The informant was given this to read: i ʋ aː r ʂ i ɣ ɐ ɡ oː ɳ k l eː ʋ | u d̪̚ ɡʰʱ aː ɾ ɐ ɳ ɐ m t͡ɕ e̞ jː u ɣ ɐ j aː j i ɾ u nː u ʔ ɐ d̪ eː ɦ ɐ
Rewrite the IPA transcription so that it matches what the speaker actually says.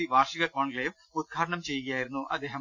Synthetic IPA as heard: i ʋ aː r ʂ i ɣ ɐ k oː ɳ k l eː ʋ | u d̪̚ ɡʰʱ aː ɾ ɐ ɳ ɐ m t͡ɕ e̞ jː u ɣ ɐ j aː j i ɾ u nː u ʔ ɐ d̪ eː ɦ ɐ

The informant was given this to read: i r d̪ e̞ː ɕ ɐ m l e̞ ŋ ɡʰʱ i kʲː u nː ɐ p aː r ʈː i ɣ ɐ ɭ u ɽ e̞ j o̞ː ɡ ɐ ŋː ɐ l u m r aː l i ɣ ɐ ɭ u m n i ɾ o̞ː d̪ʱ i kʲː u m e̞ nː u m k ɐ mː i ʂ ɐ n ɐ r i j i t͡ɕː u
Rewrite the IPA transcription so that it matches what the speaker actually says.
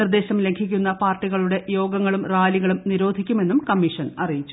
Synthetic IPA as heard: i r d̪ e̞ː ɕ ɐ m l e̞ ŋ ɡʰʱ i kʲː u nː ɐ p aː r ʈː i ɣ ɐ ɭ u ɽ e̞ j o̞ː ɡ ɐ ŋː ɐ ɭ u m r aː l i ɣ ɐ ɭ u m n i ɾ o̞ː d̪ʱ i kʲː u m e̞ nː u m k ɐ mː i ʂ ɐ n ɐ r i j i t͡ɕː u

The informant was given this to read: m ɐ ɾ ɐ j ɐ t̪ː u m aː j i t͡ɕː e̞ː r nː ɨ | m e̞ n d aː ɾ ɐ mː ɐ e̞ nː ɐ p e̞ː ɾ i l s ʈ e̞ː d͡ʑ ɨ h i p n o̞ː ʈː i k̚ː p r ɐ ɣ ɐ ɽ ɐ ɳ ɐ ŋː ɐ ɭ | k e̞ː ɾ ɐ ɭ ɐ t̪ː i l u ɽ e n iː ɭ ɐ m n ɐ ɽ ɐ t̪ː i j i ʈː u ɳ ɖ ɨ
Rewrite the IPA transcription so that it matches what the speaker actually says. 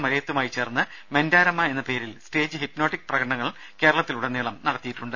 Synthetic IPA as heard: m ɐ ɾ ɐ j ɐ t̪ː u m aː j i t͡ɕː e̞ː r nː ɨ | m e̞ n d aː ɾ ɐ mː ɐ e̞ nː ɐ p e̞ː ɾ i l s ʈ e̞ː d͡ʑ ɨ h i p n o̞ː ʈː i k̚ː p r ɐ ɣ ɐ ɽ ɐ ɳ ɐ ŋː ɐ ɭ | k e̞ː ɾ ɐ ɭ ɐ t̪ː i l u ɽ e n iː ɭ ɐ m n ɐ ɽ ɐ t̪ː i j i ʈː u ɳ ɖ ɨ

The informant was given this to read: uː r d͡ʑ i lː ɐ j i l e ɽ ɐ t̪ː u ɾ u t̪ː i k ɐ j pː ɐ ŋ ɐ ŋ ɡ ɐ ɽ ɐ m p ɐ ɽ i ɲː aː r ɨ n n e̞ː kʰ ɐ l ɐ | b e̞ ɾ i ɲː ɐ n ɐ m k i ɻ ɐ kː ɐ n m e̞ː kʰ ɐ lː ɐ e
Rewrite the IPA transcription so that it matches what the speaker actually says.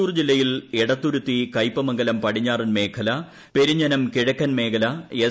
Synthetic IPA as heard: uː r d͡ʑ i lː ɐ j i l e ɽ ɐ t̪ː u ɾ u t̪ː i k ɐ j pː ɐ m ɐ ŋ ɡ ɐ l ɐ m p ɐ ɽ i ɲː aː r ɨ n m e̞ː kʰ ɐ l ɐ | p e̞ ɾ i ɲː ɐ n ɐ m k i ɻ ɐ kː ɐ n m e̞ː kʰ ɐ l ɐ e

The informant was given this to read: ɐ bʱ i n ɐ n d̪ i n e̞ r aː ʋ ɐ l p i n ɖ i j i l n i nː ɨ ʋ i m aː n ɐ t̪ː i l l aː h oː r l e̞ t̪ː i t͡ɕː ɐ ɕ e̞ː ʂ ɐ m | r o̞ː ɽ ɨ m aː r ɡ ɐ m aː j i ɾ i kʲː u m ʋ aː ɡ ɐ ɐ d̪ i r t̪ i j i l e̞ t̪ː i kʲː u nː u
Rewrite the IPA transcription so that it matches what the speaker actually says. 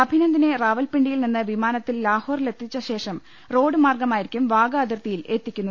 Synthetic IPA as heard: ɐ bʱ i n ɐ n d̪ i n e̞ r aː ʋ ɐ l p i ɳ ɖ i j i l n i nː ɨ ʋ i m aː n ɐ t̪ː i l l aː h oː r l e̞ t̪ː i t͡ɕː ɐ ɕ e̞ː ʂ ɐ m | r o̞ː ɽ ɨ m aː r ɡ ɐ m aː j i ɾ i kʲː u m ʋ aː ɡ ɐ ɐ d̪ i r t̪ i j i l e̞ t̪ː i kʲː u nː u

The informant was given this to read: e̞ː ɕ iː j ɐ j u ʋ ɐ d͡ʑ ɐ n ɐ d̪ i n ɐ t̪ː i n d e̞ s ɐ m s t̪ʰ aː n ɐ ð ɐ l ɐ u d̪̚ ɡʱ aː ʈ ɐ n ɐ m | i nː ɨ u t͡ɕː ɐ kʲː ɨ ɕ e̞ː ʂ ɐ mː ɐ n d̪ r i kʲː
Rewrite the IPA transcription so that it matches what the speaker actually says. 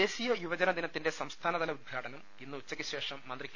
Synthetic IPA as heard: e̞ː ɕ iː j ɐ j u ʋ ɐ d͡ʑ ɐ n ɐ d̪ i n ɐ t̪ː i n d e̞ s ɐ m s t̪ʰ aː n ɐ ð ɐ l ɐ u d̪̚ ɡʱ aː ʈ ɐ n ɐ m | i nː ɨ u t͡ɕː ɐ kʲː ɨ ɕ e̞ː ʂ ɐ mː ɐ n d̪ r i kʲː

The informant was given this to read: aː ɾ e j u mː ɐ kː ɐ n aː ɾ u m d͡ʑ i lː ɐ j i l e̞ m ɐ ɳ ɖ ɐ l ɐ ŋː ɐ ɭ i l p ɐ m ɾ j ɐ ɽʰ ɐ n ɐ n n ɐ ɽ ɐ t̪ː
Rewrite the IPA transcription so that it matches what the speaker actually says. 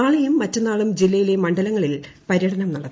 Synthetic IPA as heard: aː ɭ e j u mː ɐ tː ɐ n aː ɭ u m d͡ʑ i lː ɐ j i l e̞ m ɐ ɳ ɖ ɐ l ɐ ŋː ɐ ɭ i l p ɐ ɾ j ɐ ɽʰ ɐ n ɐ m n ɐ ɽ ɐ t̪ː

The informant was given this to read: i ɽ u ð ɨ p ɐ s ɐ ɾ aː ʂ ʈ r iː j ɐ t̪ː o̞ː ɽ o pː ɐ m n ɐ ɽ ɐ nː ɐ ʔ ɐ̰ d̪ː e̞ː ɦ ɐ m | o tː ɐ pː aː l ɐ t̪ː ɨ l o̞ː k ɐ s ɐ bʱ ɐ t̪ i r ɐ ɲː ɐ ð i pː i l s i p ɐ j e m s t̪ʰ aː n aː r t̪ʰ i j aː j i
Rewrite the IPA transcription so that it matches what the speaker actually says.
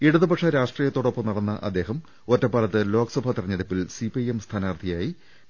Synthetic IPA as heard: i ɽ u ð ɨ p ɐ ʂ ɐ ɾ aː ʂ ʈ r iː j ɐ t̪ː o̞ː ɽ o pː ɐ m n ɐ ɽ ɐ nː ɐ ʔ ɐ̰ d̪ː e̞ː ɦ ɐ m | o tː ɐ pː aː l ɐ t̪ː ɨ l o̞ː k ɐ s ɐ bʱ ɐ t̪ i r ɐ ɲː ɐ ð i pː i l s i p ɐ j e m s t̪ʰ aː n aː r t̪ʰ i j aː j i

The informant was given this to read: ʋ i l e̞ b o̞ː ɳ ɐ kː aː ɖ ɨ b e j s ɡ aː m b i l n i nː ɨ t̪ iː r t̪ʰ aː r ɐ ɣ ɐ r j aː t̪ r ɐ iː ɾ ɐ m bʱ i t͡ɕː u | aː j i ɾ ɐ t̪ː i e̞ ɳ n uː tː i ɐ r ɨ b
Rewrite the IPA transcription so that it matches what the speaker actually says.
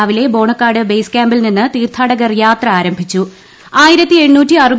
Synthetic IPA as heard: ʋ i l e̞ b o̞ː ɳ ɐ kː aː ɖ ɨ b e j s k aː m b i l n i nː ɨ t̪ iː r t̪ʰ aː ɽ ɐ ɣ ɐ r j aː t̪ r ɐ aː ɾ ɐ m bʱ i t͡ɕː u | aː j i ɾ ɐ t̪ː i e̞ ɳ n uː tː i ɐ r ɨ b

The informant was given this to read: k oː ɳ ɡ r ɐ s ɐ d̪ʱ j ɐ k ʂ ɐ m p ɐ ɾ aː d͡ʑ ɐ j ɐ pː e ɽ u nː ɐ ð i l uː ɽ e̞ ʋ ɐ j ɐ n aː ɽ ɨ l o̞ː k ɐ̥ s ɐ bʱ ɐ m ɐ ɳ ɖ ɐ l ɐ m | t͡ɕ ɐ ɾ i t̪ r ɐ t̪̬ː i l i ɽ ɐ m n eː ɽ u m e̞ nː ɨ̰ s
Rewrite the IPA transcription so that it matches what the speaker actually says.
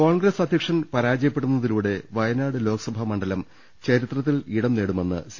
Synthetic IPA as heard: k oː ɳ ɡ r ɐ s ɐ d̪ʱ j ɐ k ʂ ɐ n p ɐ ɾ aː d͡ʑ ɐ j ɐ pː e ɽ u nː ɐ ð i l uː ɽ e̞ ʋ ɐ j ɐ n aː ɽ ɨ l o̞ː k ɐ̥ s ɐ bʱ ɐ m ɐ ɳ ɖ ɐ l ɐ m | t͡ɕ ɐ ɾ i t̪ r ɐ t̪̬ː i l i ɽ ɐ m n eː ɽ u m e̞ nː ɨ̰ s

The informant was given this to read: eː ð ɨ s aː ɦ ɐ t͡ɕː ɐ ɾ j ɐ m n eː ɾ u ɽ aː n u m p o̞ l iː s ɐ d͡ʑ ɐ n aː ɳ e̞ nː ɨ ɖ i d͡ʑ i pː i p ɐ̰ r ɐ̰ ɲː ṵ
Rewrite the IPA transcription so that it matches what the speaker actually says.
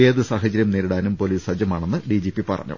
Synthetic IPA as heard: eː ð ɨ s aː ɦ ɐ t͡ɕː ɐ ɾ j ɐ m n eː ɾ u ɽ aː n u m p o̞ l iː s ɐ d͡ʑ ɐ m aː ɳ e̞ nː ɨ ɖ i d͡ʑ i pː i p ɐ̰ r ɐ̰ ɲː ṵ

